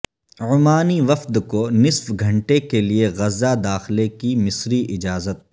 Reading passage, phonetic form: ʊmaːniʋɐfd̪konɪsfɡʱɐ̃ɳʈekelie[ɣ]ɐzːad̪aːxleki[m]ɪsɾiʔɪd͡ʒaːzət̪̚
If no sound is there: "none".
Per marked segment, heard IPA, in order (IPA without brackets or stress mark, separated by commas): ɣ, m